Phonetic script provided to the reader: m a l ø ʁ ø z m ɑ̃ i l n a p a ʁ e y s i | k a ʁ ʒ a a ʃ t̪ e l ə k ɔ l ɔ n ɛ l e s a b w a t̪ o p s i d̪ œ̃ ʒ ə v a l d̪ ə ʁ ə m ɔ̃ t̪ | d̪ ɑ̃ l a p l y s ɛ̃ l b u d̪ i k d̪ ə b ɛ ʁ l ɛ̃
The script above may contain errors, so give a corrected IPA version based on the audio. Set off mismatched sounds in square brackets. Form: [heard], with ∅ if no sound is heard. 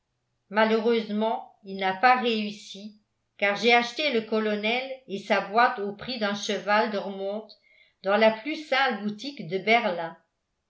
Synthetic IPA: m a l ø ʁ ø z m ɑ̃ i l n a p a ʁ e y s i | k a ʁ ʒ [e] a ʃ t̪ e l ə k ɔ l ɔ n ɛ l e s a b w a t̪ o p [χ] i d̪ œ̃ [ʃ] ə v a l d̪ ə ʁ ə m ɔ̃ t̪ | d̪ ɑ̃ l a p l y s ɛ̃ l b u [t̪] i k d̪ ə b ɛ ʁ l ɛ̃